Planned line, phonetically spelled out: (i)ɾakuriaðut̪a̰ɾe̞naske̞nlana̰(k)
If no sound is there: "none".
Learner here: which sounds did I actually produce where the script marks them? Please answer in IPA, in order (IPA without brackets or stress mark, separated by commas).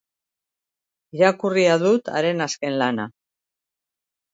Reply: i, none